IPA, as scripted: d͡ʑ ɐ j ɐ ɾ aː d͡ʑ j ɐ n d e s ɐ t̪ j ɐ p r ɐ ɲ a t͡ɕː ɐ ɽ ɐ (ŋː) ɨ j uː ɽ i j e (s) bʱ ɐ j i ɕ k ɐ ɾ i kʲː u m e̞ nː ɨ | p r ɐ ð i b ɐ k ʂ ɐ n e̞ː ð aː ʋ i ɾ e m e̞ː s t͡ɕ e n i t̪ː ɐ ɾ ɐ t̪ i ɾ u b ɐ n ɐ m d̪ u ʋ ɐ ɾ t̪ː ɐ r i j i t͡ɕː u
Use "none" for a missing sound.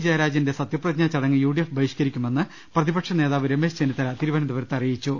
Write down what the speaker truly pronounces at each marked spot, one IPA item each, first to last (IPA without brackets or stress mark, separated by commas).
ŋː, f